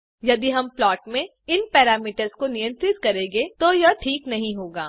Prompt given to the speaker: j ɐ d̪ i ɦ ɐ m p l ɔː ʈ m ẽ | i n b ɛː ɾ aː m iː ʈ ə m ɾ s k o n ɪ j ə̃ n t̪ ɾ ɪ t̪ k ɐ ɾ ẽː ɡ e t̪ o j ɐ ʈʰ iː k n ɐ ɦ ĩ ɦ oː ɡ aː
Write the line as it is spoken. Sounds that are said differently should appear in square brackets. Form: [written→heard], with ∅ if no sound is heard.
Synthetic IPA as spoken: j ɐ d̪ i ɦ ɐ m p l ɔː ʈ m ẽ | [i→ɪ] n [b→p] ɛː ɾ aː m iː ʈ ə [m→∅] ɾ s k o n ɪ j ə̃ n t̪ ɾ ɪ t̪ k ɐ ɾ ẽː ɡ e t̪ o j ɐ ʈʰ iː k n ɐ ɦ ĩ ɦ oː ɡ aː